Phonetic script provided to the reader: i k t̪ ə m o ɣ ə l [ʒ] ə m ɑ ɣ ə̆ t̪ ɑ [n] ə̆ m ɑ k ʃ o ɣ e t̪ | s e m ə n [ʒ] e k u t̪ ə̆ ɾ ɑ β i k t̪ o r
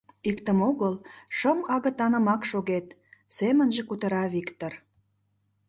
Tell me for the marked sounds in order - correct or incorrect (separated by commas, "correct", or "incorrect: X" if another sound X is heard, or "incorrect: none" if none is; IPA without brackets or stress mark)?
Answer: incorrect: ʃ, correct, correct